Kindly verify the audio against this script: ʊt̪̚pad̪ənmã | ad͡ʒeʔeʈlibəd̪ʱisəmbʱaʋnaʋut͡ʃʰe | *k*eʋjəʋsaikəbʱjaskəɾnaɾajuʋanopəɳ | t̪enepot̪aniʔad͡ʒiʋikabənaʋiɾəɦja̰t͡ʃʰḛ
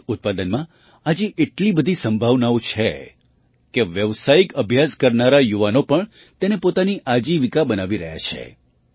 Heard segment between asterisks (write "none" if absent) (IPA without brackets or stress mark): k